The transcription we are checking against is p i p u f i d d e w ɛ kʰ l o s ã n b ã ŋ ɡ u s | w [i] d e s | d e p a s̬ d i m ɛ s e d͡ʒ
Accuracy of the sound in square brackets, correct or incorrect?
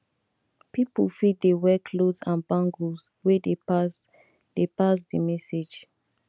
incorrect